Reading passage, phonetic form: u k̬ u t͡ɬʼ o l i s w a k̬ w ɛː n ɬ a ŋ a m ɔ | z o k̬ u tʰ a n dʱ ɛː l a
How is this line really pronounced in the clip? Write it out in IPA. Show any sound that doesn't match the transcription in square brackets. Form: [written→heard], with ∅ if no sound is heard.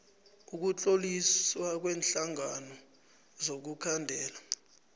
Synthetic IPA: u k̬ u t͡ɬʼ o l i s w a k̬ w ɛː n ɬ a ŋ a [m→n] ɔ | z o k̬ u [tʰ→kʰ] a n dʱ ɛː l a